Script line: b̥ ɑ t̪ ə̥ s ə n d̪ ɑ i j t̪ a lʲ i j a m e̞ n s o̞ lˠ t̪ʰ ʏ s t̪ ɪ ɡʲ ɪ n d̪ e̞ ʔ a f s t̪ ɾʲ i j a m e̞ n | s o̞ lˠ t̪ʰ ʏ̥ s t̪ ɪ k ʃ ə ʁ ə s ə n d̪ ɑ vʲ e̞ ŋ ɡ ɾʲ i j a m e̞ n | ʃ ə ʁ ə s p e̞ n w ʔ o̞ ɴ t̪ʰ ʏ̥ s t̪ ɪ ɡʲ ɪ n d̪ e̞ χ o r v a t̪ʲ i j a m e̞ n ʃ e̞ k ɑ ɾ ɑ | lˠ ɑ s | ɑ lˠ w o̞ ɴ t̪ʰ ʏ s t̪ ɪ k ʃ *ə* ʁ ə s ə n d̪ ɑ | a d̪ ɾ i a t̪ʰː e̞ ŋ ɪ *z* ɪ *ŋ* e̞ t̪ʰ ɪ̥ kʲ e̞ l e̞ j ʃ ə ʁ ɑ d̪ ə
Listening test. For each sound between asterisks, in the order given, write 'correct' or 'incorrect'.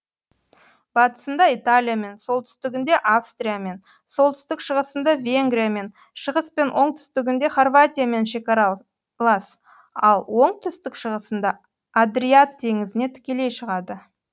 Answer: correct, correct, incorrect

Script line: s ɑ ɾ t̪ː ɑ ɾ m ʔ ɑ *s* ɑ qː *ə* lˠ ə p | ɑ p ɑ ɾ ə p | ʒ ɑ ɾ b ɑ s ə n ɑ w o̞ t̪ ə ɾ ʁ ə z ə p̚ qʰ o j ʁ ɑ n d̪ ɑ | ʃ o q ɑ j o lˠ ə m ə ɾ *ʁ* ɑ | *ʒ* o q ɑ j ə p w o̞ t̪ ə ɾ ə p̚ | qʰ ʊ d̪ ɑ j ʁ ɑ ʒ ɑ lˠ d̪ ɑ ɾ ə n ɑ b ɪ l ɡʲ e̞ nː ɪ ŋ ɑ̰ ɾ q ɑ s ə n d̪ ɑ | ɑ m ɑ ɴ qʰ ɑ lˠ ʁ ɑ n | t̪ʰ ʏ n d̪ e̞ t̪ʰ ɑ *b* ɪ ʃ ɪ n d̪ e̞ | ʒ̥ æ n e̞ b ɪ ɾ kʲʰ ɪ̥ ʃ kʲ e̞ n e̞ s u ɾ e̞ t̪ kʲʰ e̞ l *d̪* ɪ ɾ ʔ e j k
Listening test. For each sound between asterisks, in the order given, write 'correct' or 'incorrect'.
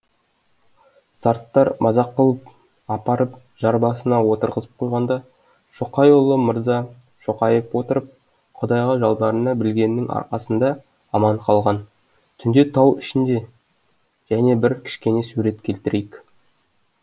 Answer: incorrect, correct, incorrect, incorrect, incorrect, incorrect

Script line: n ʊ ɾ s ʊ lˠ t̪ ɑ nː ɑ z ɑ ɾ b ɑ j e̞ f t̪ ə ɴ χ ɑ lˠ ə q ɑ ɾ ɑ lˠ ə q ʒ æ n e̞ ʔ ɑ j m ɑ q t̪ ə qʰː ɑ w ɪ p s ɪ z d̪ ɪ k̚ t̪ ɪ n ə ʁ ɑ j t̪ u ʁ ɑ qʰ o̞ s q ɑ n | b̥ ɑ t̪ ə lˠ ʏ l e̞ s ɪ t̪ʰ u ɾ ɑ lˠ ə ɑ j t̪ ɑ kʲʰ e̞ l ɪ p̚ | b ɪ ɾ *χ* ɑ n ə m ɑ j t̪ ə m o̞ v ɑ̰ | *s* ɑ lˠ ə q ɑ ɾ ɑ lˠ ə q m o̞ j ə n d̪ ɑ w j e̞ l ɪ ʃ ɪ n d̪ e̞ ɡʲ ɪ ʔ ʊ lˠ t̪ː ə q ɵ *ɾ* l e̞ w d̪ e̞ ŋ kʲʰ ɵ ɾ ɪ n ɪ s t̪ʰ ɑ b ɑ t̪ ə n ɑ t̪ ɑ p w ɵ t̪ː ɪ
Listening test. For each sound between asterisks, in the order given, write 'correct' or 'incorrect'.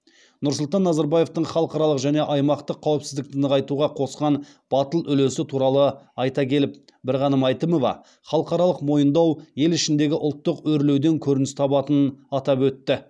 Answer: incorrect, incorrect, correct

